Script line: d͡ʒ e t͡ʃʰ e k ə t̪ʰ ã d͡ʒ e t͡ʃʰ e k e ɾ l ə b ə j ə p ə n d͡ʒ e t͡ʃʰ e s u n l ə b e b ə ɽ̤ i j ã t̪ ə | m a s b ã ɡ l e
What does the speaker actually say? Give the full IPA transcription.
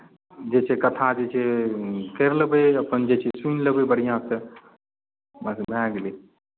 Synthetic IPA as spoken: d͡ʒ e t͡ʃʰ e k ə t̪ʰ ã d͡ʒ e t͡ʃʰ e k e ɾ l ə b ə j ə p ə n d͡ʒ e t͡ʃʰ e s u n l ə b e b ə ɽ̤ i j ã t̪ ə | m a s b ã ɡ l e